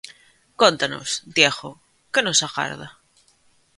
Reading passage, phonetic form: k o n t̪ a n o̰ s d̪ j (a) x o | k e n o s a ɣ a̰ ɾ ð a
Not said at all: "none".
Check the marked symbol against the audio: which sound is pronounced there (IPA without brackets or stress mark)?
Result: e